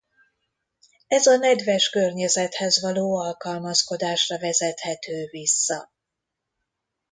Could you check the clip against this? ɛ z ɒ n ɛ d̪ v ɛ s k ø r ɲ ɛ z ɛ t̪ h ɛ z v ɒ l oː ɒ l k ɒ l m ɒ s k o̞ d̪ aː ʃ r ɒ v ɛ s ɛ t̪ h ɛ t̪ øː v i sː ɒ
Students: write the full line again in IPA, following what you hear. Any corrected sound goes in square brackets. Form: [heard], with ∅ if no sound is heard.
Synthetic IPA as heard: ɛ z ɒ n ɛ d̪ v ɛ [ʃ] k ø r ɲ ɛ z ɛ t̪ h ɛ z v ɒ l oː ɒ l k ɒ l m ɒ s k o̞ d̪ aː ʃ r ɒ v ɛ [z] ɛ t̪ h ɛ t̪ øː v i sː ɒ